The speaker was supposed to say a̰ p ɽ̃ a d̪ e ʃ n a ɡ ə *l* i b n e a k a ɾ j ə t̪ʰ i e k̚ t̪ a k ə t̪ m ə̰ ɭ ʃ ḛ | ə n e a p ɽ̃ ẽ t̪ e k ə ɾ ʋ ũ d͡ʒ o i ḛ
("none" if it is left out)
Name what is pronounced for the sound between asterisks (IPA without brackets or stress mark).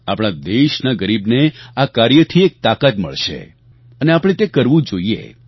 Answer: ɾ